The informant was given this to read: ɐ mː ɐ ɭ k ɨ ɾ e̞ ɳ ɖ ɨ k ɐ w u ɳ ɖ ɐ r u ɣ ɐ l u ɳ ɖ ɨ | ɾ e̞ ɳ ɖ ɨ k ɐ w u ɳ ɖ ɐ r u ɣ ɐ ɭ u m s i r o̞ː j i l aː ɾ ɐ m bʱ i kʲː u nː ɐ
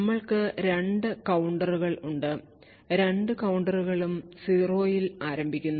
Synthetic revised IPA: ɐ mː ɐ ɭ k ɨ ɾ e̞ ɳ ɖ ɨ k ɐ w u ɳ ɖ ɐ r u ɣ ɐ ɭ u ɳ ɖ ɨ | ɾ e̞ ɳ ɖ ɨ k ɐ w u ɳ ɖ ɐ r u ɣ ɐ ɭ u m s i r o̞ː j i l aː ɾ ɐ m bʱ i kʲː u nː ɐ